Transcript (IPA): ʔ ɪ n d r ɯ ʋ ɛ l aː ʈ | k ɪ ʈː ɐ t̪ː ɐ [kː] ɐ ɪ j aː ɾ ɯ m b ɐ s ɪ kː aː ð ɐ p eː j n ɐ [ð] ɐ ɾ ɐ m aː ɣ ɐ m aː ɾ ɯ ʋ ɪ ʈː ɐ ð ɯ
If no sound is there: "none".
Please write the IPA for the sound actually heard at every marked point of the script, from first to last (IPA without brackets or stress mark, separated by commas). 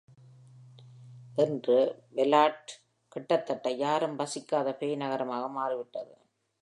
ʈː, ɣ